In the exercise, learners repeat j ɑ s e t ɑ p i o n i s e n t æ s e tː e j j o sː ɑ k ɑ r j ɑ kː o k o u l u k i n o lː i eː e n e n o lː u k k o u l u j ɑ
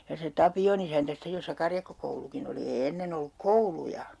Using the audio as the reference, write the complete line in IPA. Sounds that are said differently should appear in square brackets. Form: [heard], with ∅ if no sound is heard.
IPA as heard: j ɑ s e t ɑ p i o n i s [æ] n t æ s [i] tː e j j o sː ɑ k ɑ r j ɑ kː o k o u l u k i n o [l] i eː e [nː] e n o lː u k k o u l u j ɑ